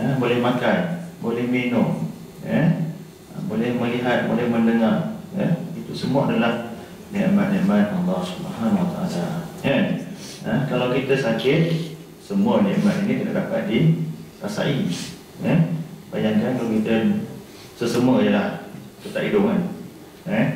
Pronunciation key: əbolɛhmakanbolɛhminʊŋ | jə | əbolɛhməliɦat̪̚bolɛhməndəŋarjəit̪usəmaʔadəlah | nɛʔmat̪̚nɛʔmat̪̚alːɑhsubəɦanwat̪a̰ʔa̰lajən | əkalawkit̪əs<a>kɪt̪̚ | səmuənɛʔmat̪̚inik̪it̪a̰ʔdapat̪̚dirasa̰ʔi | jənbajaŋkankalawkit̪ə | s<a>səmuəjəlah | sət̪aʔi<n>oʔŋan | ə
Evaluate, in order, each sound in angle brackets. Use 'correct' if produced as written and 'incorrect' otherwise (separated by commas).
correct, incorrect, incorrect